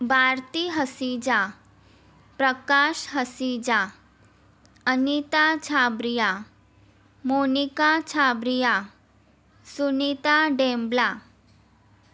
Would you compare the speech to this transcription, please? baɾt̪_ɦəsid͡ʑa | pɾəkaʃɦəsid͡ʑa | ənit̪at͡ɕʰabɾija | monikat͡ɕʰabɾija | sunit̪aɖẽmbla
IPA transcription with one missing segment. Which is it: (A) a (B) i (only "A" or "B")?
B